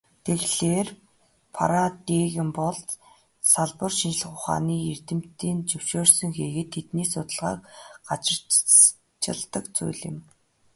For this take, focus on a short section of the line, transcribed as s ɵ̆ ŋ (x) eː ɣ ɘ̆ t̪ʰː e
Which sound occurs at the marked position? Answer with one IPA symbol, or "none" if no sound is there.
x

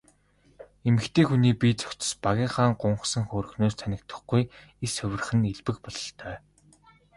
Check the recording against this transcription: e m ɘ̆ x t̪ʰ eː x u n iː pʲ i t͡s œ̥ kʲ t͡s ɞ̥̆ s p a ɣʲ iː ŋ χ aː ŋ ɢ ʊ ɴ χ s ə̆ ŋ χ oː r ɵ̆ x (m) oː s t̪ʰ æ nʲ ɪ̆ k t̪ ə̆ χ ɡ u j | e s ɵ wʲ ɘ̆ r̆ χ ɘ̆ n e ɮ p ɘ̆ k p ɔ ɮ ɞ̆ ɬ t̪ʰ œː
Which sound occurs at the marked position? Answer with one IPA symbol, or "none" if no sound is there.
n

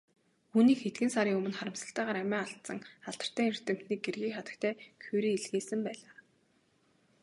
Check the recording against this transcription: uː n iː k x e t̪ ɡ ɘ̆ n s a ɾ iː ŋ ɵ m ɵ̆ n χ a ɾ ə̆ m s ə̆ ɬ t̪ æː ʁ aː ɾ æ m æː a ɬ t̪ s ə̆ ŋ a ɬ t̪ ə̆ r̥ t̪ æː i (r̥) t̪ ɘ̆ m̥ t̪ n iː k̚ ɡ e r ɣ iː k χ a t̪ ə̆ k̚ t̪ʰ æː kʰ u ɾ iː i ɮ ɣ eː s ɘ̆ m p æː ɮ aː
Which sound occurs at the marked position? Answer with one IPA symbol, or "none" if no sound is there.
r̥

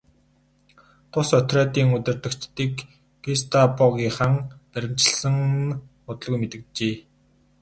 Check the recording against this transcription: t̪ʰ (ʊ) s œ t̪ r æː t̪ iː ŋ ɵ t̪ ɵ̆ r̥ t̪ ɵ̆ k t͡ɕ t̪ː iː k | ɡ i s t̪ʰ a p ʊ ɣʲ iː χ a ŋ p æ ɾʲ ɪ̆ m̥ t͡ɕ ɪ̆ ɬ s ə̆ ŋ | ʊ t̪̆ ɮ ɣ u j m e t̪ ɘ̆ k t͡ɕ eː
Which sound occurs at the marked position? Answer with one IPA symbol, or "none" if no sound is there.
ʊ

